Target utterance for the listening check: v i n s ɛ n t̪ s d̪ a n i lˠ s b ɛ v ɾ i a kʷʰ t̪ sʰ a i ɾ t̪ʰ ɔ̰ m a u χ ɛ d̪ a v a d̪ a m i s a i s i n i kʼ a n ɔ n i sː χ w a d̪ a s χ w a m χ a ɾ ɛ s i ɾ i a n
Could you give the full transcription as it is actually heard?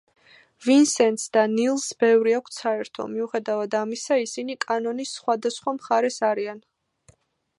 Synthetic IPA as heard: v i n s ɛ n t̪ s d̪ a n i lˠ s b ɛ v ɾ i a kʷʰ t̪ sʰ a ɛ ɾ t̪ʰ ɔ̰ m i u χ ɛ d̪ a v a d̪ a m i s a i s i n i kʼ a n ɔ n i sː χ w a d̪ a s χ w a m χ a ɾ ɛ s a ɾ i a n